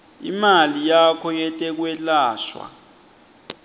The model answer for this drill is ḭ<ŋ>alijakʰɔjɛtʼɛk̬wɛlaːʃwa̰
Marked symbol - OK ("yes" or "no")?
no